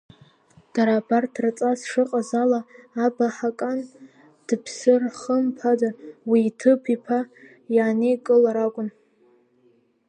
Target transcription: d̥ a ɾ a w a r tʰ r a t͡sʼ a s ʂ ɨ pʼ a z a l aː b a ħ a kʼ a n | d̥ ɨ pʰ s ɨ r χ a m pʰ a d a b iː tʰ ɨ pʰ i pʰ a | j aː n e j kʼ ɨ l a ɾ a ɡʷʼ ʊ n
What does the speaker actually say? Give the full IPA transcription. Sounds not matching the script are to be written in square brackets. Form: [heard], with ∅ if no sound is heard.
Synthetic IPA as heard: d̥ a ɾ a [b] a r tʰ r a t͡sʼ a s ʂ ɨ [qʼ] a z a l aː b a ħ a kʼ a n | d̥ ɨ pʰ s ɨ r χ [ə] m pʰ a d a [w] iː tʰ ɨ pʰ i pʰ a | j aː n e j kʼ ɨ l a ɾ a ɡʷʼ ʊ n